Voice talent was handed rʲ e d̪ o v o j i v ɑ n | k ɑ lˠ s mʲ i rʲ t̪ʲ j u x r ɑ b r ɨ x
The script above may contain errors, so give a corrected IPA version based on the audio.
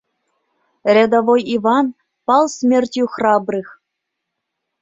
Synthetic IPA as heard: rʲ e d̪ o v o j i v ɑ n | p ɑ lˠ s mʲ e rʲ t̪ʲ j u x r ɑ b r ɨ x